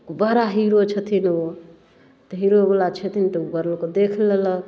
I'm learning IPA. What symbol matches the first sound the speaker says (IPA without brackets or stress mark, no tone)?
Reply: b